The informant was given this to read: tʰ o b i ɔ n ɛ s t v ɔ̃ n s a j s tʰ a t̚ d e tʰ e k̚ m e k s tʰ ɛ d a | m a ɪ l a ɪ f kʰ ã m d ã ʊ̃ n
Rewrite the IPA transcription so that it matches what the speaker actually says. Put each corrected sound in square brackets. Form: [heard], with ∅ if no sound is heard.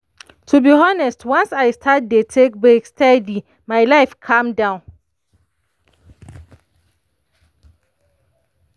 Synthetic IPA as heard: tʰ [u] b i ɔ n ɛ s t [w] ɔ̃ n s a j s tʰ a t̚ d e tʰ e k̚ [b] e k s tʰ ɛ d [i] | m a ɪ l a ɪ f kʰ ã m d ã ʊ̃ n